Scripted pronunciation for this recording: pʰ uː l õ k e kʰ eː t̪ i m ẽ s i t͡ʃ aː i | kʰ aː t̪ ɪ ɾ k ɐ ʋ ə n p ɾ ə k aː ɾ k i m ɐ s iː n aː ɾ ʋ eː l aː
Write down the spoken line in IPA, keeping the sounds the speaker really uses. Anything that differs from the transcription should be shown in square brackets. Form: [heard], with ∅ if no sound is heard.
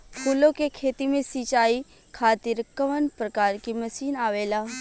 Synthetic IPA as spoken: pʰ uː l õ k e kʰ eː t̪ i m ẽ s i t͡ʃ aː i | kʰ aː t̪ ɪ ɾ k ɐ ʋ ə n p ɾ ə k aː ɾ k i m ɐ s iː n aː [∅] ʋ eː l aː